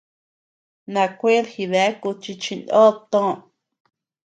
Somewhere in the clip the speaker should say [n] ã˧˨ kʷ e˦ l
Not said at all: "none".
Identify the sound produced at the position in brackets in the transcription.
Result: n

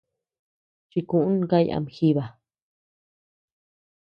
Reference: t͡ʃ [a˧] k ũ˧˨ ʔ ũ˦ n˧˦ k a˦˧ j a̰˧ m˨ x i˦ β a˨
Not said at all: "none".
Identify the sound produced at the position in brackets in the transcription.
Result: i˧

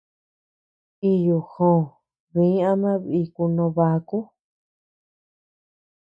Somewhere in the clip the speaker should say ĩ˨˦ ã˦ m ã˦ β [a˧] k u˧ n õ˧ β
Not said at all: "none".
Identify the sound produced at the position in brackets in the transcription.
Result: i˧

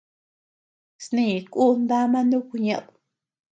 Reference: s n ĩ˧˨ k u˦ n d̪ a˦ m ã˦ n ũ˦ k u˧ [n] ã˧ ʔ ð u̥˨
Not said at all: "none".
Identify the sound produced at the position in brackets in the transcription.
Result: ɲ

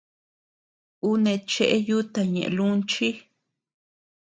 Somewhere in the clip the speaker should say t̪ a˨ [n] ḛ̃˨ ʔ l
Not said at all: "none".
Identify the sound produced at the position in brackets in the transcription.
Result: ɲ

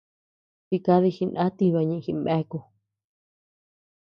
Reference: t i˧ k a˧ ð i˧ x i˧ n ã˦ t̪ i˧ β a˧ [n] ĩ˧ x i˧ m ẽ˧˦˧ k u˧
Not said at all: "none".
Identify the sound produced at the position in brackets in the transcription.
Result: ɲ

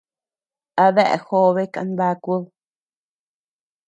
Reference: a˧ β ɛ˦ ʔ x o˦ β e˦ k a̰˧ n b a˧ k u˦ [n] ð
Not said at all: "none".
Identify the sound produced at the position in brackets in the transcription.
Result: none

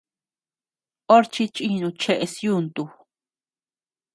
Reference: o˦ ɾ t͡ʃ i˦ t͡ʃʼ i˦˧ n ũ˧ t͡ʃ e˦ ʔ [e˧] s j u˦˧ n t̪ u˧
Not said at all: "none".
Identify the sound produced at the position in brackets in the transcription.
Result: e˧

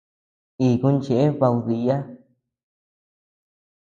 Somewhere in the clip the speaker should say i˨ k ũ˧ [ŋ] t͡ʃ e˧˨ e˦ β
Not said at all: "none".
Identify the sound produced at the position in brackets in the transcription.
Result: n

